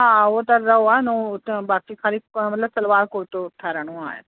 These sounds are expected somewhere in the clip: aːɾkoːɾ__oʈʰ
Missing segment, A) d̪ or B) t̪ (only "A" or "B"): B